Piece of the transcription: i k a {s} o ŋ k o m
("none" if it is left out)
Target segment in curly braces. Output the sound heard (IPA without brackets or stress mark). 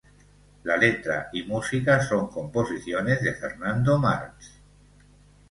s